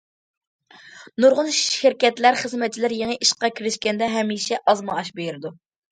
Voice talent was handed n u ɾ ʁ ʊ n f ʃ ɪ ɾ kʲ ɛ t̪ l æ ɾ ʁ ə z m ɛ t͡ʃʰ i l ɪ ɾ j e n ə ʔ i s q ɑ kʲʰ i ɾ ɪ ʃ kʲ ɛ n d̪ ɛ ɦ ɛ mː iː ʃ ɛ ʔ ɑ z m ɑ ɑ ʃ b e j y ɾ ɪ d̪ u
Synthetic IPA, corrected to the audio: n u ɾ ʁ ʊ n ʃ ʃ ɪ ɾ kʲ ɛ t̪ l æ ɾ χ ə z m ɛ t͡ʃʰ i l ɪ ɾ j e ŋ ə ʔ i ʃ q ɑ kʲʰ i ɾ ɪ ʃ kʲ ɛ n d̪ ɛ ɦ ɛ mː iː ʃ ɛ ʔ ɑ z m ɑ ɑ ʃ b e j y ɾ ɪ d̪ u